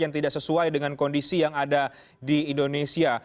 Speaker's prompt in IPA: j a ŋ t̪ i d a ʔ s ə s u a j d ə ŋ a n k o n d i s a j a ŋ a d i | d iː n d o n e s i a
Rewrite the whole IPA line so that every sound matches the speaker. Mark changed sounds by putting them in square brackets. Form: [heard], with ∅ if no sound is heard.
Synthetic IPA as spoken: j a ŋ t̪ i d a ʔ s ə s u a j d ə ŋ a n k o n d i s [i] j a ŋ a d [a] | d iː n d o n e s i a

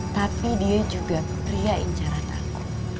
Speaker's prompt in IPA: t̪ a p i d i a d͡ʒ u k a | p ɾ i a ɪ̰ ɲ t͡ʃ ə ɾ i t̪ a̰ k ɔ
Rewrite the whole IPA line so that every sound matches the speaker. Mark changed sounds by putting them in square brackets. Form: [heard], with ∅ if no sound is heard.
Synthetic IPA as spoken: t̪ a p i d i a d͡ʒ u [ɡ] a | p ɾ i a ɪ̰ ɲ t͡ʃ [a] ɾ [a] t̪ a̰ k [u]

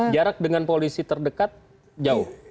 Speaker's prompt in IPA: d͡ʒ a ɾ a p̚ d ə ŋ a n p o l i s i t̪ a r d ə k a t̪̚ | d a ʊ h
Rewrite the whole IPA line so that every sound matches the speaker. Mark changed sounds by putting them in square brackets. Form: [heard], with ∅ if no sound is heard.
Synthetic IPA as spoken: d͡ʒ a ɾ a [k̚] d ə ŋ a n p o l i s i t̪ [ə] r d ə k a t̪̚ | [d͡ʒ] a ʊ h

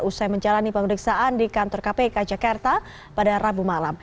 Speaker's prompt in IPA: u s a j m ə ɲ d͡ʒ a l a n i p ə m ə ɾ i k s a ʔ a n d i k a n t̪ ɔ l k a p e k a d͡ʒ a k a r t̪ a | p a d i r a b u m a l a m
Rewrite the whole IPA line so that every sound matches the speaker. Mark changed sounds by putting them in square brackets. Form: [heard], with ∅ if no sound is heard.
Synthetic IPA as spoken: u s a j m ə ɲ d͡ʒ a l a n i p ə m ə ɾ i k s a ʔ a n d i k a n t̪ ɔ [r] k a p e k a d͡ʒ a k a r t̪ a | p a d [a] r a b u m a l a m

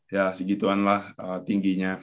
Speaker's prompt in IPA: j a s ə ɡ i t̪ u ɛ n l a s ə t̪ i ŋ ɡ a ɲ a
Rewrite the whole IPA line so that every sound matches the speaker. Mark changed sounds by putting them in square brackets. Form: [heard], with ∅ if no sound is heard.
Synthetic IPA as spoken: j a s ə ɡ i t̪ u [a] n l a [h] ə t̪ i ŋ ɡ [i] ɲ a

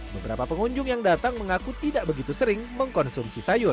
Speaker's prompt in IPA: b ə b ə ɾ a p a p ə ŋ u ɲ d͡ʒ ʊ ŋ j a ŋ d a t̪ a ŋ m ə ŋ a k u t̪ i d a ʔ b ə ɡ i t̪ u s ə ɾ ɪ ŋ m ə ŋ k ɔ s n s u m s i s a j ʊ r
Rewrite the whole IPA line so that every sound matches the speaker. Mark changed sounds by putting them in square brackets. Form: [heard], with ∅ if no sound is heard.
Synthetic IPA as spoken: b ə b ə ɾ a p a p ə ŋ u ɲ d͡ʒ ʊ ŋ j a ŋ d a t̪ a ŋ m ə ŋ a k u t̪ i d a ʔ b ə ɡ i t̪ u s ə ɾ ɪ ŋ m ə ŋ k ɔ [∅] n s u m s i s a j ʊ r

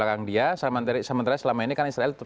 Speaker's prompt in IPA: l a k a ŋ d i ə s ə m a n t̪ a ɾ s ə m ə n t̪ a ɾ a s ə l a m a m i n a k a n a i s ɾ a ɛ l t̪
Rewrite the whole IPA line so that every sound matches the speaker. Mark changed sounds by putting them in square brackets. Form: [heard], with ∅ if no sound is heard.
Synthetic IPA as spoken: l a k a ŋ d i [a] s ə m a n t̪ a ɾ s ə m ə n t̪ a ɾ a s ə l a m a [∅] i n [i] k a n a i s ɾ a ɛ l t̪

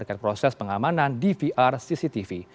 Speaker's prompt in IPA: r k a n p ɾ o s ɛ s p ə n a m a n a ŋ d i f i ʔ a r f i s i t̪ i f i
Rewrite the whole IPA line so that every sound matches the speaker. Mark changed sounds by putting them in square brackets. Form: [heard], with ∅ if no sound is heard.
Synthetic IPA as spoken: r k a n p ɾ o s ɛ s p ə [ŋ] a m a n a [n] d i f i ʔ a r [s] i s i t̪ i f i

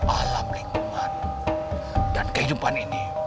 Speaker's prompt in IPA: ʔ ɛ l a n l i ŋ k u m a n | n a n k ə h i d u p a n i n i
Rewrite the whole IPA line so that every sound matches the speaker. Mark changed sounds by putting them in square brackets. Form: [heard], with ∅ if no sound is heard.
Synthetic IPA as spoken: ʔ [a] l a [m] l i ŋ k u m a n | [d] a n k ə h i d u p a n i n i

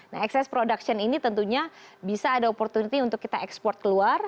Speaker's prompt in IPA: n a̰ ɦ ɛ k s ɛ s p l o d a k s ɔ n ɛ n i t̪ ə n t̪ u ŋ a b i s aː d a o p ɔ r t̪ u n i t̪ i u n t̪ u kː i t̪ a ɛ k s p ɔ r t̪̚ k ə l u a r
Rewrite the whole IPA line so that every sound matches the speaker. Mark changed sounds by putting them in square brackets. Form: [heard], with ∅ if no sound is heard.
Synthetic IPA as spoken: n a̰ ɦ ɛ k s ɛ s p [ɾ] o d a k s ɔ n [i] n i t̪ ə n t̪ u [ɲ] a b i s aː d a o p ɔ r t̪ u n i t̪ i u n t̪ [ʊ] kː i t̪ a ɛ k s p ɔ r t̪̚ k ə l u a r

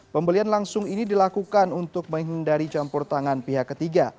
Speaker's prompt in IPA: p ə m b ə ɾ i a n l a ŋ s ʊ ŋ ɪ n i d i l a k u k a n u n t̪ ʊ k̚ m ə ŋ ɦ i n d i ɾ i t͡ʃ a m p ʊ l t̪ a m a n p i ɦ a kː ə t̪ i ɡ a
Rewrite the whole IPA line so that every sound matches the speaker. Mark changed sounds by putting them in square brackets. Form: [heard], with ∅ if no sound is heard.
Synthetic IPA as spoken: p ə m b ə [l] i a n l a ŋ s ʊ ŋ [i] n i d i l a k u k a n u n t̪ ʊ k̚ m ə ŋ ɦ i n d [a] ɾ i t͡ʃ a m p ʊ [r] t̪ a [ŋ] a n p i ɦ a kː ə t̪ i ɡ a

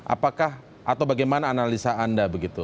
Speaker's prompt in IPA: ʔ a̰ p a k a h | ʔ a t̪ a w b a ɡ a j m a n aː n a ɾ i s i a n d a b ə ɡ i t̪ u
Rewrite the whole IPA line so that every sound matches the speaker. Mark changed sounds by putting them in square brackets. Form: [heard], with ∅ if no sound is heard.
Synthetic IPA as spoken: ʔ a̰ p a k a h | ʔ a t̪ a w b a ɡ a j m a n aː n a [l] i s [a] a n d a b ə ɡ i t̪ u

